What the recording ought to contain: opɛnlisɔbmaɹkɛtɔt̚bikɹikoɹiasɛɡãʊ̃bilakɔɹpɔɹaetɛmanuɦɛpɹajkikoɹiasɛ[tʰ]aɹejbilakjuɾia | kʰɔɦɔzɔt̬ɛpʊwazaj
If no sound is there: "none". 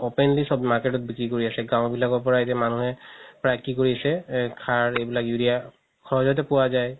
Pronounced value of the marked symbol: kʰ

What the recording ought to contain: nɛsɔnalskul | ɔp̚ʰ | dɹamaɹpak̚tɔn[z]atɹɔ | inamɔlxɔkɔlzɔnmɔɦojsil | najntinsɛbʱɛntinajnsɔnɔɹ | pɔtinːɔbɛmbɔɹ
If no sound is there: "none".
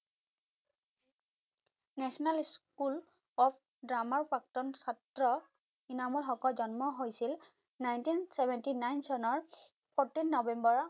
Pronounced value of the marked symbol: s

